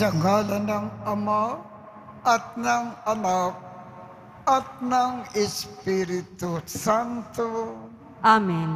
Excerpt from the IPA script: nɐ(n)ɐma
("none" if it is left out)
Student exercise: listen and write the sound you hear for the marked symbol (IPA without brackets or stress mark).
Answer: ŋ